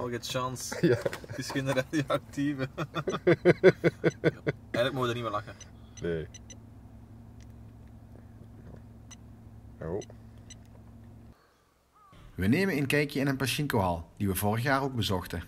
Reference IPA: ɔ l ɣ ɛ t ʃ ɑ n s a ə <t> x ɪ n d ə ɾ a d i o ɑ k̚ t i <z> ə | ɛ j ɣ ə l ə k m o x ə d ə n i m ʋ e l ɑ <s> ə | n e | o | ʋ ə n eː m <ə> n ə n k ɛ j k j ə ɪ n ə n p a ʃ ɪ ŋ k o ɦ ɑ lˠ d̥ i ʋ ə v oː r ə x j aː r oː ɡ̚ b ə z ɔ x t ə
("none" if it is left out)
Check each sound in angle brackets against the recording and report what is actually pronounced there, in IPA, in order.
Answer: s, v, x, ə

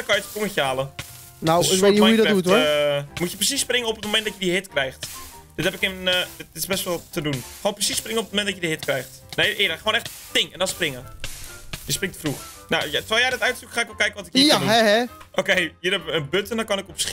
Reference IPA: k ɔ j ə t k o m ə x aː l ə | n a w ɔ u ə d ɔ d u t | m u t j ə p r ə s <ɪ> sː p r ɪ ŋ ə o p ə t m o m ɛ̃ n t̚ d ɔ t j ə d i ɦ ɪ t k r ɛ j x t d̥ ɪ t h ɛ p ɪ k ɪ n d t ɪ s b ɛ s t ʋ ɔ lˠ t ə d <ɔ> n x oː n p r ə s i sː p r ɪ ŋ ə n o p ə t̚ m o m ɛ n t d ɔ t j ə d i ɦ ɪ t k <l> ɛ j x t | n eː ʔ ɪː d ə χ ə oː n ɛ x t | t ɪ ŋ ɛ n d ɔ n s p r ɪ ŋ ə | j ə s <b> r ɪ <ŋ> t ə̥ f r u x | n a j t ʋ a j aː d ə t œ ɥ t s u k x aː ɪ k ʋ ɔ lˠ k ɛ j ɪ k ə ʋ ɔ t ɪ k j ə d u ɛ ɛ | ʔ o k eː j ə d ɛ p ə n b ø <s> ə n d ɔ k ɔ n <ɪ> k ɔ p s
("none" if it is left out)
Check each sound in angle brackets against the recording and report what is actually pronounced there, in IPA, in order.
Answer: i, u, r, p, ŋ, t, ɪ

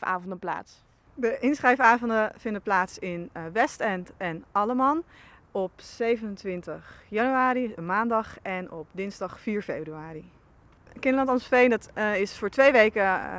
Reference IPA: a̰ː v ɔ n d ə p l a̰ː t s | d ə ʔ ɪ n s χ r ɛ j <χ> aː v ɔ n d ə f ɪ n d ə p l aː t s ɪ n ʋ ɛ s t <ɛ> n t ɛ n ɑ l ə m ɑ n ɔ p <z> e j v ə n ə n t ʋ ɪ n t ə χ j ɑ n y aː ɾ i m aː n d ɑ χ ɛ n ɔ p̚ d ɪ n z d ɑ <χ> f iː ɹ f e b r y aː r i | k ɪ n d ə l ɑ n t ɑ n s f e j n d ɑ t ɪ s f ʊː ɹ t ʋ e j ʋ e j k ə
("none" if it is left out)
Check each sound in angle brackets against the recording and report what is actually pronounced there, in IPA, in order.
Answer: f, ɛ, s, χ

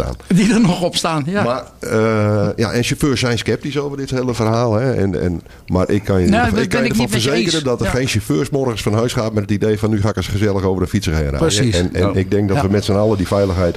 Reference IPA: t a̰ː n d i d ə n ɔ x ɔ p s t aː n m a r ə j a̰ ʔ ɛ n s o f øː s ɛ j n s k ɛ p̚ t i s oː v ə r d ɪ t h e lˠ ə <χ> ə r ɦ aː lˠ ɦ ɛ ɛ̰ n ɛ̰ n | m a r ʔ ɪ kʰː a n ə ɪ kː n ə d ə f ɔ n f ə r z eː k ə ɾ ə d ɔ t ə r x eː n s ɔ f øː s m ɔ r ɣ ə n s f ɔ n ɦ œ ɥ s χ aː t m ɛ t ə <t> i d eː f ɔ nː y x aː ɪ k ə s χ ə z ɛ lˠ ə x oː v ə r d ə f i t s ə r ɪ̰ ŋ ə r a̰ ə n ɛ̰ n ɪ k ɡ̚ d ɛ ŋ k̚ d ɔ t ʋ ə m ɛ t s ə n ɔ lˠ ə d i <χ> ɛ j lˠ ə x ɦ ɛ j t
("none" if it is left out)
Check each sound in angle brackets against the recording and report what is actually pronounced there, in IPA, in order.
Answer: f, t, f

